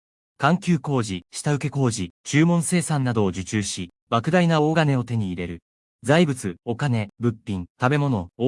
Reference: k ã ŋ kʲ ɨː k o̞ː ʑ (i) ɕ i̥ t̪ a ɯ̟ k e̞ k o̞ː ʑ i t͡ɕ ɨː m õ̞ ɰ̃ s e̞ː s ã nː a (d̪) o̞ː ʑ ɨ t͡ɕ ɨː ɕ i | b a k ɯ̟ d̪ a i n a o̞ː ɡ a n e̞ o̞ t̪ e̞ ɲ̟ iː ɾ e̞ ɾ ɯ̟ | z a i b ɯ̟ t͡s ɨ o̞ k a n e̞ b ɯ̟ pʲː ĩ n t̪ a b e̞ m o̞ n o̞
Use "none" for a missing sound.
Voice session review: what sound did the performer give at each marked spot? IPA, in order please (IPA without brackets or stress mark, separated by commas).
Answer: i, d̪